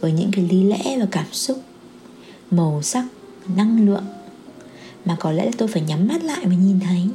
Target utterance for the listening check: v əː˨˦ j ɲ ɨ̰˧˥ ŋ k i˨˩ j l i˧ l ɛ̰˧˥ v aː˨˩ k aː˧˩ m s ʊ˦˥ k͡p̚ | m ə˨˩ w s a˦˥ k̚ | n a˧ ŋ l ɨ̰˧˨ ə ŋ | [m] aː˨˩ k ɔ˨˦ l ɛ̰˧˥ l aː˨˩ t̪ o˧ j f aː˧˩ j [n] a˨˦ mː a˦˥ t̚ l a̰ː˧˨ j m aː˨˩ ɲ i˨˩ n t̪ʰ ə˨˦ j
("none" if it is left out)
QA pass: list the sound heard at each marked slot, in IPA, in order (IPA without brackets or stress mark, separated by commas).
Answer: m, ɲ